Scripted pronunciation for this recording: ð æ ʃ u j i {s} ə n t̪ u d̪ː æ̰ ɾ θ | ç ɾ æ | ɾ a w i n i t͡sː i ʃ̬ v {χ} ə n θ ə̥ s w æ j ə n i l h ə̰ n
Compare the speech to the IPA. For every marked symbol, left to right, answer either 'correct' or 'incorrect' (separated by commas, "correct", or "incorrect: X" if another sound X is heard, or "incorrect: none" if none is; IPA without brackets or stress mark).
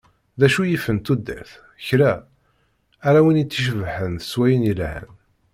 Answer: incorrect: f, incorrect: ħ